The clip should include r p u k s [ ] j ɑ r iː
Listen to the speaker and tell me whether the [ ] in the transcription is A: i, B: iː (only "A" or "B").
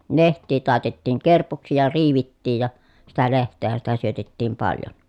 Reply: A